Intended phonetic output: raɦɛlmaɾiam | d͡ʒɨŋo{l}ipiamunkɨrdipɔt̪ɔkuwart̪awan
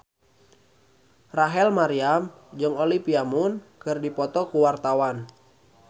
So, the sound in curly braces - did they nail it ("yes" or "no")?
yes